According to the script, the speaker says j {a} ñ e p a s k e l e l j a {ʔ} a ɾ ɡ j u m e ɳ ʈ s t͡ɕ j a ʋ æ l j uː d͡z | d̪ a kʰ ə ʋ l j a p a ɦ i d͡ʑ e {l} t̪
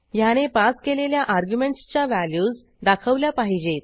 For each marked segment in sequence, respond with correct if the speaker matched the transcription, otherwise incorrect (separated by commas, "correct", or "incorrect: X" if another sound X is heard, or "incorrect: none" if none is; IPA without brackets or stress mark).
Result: correct, correct, incorrect: none